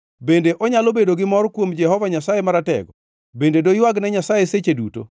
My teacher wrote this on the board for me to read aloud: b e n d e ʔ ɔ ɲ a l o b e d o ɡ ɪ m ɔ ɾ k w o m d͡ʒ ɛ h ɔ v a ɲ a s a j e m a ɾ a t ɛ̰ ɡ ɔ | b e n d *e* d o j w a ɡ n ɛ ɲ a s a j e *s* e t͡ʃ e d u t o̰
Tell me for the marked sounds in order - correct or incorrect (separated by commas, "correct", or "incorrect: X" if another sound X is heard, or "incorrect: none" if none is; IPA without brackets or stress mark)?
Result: correct, correct